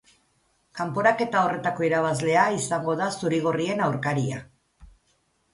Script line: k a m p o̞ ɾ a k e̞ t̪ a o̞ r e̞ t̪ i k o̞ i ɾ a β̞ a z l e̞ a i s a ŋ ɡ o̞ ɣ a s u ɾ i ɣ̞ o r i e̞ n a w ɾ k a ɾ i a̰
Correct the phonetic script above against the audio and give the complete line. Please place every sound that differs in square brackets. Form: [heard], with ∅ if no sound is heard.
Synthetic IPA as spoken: k a m p o̞ ɾ a k e̞ t̪ a o̞ r e̞ t̪ [a] k o̞ i ɾ a β̞ a z l e̞ a i s a ŋ ɡ o̞ [ð] a s u ɾ i ɣ̞ o r i e̞ n a w ɾ k a ɾ i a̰

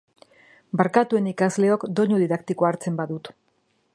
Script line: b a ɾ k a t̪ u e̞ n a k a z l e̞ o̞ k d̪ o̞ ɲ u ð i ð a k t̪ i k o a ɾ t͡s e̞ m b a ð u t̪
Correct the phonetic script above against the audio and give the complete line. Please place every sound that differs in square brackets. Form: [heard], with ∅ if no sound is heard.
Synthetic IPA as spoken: b a ɾ k a t̪ u e̞ n [i] k a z l e̞ o̞ k d̪ o̞ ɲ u ð i ð a k t̪ i k o a ɾ t͡s e̞ m b a ð u t̪

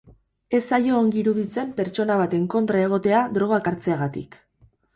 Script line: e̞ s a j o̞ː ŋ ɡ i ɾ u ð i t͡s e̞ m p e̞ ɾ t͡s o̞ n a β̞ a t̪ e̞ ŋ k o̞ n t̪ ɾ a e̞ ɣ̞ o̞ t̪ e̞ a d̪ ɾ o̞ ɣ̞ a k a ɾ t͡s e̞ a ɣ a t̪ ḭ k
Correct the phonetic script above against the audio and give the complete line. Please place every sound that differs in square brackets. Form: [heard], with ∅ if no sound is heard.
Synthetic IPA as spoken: e̞ s a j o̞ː ŋ ɡ i ɾ u ð i t͡s e̞ m p e̞ ɾ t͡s o̞ n a β̞ a t̪ e̞ ŋ k o̞ n t̪ ɾ a e̞ ɣ̞ o̞ t̪ e̞ a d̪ ɾ o̞ ɣ̞ a k a ɾ t͡s e̞ a ɣ a t̪ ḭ k

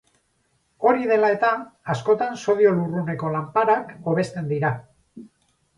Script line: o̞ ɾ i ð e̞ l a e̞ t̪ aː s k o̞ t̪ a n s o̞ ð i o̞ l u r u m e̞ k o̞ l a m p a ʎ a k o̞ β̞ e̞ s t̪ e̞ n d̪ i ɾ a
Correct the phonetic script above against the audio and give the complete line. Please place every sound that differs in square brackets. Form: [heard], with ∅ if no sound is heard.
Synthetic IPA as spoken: o̞ ɾ i ð e̞ l a e̞ t̪ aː s k o̞ t̪ a n s o̞ ð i o̞ l u r u [n] e̞ k o̞ l a m p a [ɾ] a k o̞ β̞ e̞ s t̪ e̞ n d̪ i ɾ a

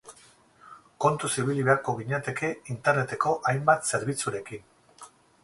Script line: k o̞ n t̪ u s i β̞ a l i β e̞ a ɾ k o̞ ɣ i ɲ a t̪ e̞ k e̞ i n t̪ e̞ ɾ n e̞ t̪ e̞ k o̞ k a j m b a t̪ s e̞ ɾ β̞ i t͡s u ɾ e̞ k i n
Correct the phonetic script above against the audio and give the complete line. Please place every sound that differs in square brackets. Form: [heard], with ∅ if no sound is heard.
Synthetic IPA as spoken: k o̞ n t̪ u s i β̞ [i] l i β e̞ a ɾ k o̞ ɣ i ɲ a t̪ e̞ k e̞ i n t̪ e̞ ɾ n e̞ t̪ e̞ k o̞ [ʔ] a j m b a t̪ s e̞ ɾ β̞ i t͡s u ɾ e̞ k i n

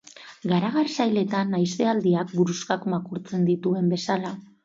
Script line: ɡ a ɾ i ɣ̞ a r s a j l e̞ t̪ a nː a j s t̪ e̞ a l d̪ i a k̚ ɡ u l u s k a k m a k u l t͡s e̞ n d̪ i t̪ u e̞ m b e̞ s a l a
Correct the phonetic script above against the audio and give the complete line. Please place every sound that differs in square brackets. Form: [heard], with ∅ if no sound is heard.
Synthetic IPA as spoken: ɡ a ɾ [a] ɣ̞ a r s a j l e̞ t̪ a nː a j s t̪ e̞ a l d̪ i a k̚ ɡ u [ɾ] u s k a k m a k u [ɾ] t͡s e̞ n d̪ i t̪ u e̞ m b e̞ s a l a

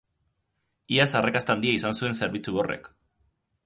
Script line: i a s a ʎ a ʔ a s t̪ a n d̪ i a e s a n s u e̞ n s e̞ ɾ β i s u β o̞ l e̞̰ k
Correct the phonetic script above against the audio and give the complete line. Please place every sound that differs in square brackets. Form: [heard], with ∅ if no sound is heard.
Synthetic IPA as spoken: i a s a [r] a [k] a s t̪ a n d̪ i a [i] s a n s u e̞ n s e̞ ɾ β i [t͡s] u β o̞ [r] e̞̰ k

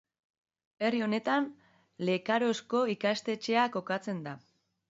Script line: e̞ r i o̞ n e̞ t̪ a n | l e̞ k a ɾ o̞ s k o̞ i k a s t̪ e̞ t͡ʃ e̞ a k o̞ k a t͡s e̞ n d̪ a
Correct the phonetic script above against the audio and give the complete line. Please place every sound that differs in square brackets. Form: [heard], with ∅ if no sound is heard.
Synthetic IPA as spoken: e̞ r i o̞ n e̞ t̪ a n | l e̞ k a ɾ o̞ s k o̞ i k a s t̪ e̞ t͡ʃ e̞ a k o̞ k a t͡s e̞ n d̪ a

